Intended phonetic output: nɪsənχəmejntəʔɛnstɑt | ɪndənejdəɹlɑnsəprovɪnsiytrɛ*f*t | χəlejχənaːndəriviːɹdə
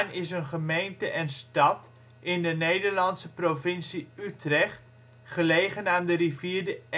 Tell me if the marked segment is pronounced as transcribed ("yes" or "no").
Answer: no